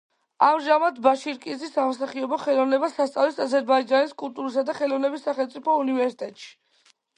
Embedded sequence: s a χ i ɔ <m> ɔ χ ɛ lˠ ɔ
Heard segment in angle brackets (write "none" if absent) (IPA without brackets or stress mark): b